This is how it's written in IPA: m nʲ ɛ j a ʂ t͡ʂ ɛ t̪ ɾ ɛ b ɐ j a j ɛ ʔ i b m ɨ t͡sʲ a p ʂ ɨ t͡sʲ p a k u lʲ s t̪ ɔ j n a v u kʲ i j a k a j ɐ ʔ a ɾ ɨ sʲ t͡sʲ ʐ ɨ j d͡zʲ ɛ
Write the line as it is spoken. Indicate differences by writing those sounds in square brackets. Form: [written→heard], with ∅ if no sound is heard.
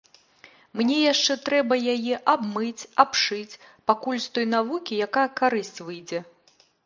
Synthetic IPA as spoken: m nʲ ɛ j a ʂ t͡ʂ ɛ t̪ ɾ ɛ b ɐ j a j ɛ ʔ [i→a] b m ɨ t͡sʲ a p ʂ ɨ t͡sʲ p a k u lʲ s t̪ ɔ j n a v u kʲ i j a k a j ɐ [ʔ→k] a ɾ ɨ sʲ t͡sʲ [ʐ→v] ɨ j d͡zʲ ɛ